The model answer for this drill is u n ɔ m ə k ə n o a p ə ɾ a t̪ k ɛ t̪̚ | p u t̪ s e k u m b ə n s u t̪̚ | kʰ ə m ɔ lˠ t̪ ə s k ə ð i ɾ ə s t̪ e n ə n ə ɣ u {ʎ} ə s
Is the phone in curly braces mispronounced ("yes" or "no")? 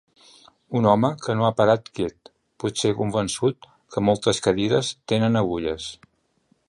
no